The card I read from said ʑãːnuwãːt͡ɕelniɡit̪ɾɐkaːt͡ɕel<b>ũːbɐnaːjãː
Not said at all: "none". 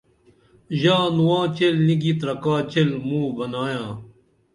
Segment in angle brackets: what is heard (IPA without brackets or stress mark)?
m